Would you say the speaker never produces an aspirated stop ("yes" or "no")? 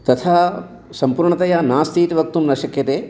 no